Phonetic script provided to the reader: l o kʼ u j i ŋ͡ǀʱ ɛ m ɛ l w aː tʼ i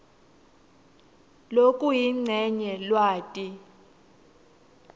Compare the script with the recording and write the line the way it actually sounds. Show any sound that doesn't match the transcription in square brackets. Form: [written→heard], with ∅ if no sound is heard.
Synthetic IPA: l o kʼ u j i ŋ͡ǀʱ ɛ [m→ɲ] ɛ l w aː tʼ i